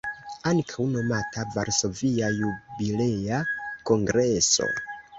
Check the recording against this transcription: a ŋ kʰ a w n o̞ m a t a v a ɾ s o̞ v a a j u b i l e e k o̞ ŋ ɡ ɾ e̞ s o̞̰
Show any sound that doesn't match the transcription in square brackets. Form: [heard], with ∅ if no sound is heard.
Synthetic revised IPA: a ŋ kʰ a w n o̞ m a t a v a ɾ s o̞ v [i] a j u b i l e [a] k o̞ ŋ ɡ ɾ e̞ s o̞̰